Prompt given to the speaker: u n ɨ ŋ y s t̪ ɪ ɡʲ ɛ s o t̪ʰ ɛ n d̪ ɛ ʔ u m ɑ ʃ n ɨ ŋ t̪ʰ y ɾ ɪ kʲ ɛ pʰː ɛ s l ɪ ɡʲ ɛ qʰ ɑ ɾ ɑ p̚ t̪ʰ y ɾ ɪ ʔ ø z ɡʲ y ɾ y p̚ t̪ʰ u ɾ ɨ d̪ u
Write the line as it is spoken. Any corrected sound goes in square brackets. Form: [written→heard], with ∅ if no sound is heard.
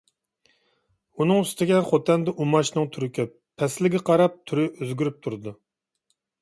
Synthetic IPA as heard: u n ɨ ŋ y s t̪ ɪ ɡʲ ɛ [s→χ] o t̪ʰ ɛ n d̪ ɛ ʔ u m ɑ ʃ n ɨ ŋ t̪ʰ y ɾ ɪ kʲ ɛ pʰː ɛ s l ɪ ɡʲ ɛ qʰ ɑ ɾ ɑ p̚ t̪ʰ y ɾ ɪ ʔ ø z ɡʲ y ɾ y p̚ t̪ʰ u ɾ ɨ d̪ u

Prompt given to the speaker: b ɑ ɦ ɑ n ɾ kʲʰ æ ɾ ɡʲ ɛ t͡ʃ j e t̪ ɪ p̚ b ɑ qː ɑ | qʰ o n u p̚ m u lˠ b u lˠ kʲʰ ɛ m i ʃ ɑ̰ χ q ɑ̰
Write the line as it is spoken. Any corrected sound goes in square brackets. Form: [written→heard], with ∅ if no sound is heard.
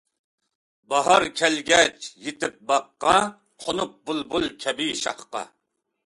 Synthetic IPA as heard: b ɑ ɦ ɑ [n→∅] ɾ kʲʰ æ [ɾ→l] ɡʲ ɛ t͡ʃ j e t̪ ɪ p̚ b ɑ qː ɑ | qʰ o n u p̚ [m→b] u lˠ b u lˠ kʲʰ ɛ [m→b] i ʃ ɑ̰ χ q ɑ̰

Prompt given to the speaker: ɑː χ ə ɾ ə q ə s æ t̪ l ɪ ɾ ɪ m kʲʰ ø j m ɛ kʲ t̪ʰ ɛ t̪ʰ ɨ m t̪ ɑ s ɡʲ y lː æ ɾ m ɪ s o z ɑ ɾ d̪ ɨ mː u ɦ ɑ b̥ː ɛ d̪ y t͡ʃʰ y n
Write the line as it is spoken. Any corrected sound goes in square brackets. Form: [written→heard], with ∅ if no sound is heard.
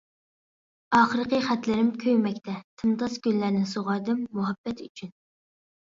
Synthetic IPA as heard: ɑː χ ə ɾ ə q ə [s→χ] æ t̪ l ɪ ɾ ɪ m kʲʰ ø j m ɛ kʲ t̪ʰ ɛ t̪ʰ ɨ m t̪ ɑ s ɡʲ y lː æ ɾ [m→n] ɪ s o [z→ʁ] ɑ ɾ d̪ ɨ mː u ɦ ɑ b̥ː ɛ [d̪→t̪] y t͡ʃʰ y n

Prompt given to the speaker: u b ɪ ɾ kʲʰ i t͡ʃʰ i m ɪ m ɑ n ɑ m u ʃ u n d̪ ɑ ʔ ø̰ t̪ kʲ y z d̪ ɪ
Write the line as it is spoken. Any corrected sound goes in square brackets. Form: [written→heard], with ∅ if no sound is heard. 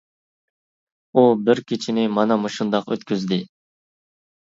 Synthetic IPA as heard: u b ɪ ɾ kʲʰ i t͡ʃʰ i [m→n] ɪ m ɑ n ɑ m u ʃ u n d̪ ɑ [ʔ→q] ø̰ t̪ kʲ y z d̪ ɪ

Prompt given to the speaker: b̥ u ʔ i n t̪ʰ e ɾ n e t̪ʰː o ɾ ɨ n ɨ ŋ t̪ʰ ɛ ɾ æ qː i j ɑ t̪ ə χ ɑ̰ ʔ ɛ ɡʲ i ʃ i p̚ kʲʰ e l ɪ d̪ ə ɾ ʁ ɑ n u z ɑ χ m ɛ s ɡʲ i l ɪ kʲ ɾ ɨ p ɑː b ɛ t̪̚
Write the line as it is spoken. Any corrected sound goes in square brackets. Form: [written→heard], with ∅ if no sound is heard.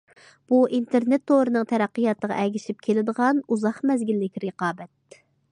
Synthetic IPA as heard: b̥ u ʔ i n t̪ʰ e ɾ n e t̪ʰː o ɾ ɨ n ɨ ŋ t̪ʰ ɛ ɾ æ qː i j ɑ t̪ ə [χ→ʁ] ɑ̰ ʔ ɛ ɡʲ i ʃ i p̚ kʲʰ e l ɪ d̪ ə [ɾ→∅] ʁ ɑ n u z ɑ χ m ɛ [s→z] ɡʲ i [l→lː] ɪ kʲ ɾ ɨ [p→q] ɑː b ɛ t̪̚

